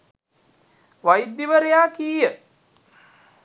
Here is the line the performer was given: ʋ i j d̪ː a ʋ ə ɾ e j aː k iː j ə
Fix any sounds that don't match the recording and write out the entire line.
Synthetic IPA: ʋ a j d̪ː i ʋ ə ɾ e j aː k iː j ə